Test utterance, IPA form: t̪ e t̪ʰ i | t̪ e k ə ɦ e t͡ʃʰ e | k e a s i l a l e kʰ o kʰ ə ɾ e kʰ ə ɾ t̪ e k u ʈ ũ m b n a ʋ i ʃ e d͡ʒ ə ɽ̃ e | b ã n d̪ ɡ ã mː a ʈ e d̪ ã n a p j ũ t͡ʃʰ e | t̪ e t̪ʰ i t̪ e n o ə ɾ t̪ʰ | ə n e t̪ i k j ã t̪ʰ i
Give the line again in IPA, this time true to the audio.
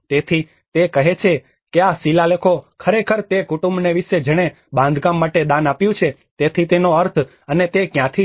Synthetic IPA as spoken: t̪ e t̪ʰ i | t̪ e k ə ɦ e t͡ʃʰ e | k e a s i l a l e kʰ o kʰ ə ɾ e kʰ ə ɾ t̪ e k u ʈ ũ m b n e ʋ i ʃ e d͡ʒ ə ɽ̃ e | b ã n d̪ ɡ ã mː a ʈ e d̪ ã n a p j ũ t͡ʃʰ e | t̪ e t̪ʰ i t̪ e n o ə ɾ t̪ʰ | ə n e t̪ e k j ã t̪ʰ i